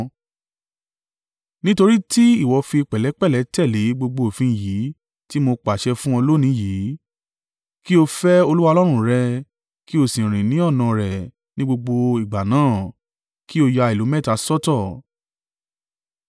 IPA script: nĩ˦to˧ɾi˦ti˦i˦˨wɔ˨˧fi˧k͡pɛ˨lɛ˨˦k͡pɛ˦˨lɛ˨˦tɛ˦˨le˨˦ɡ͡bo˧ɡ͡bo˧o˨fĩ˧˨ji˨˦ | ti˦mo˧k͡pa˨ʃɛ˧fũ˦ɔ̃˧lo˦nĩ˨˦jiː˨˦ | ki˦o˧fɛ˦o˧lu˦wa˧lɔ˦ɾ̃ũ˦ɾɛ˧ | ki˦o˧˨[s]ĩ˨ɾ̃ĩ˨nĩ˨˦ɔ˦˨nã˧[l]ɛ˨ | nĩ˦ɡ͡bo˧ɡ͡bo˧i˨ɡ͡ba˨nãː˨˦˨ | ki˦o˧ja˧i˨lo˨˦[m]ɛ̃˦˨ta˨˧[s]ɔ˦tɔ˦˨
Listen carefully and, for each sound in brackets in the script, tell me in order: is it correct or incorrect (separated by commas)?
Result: correct, incorrect, correct, correct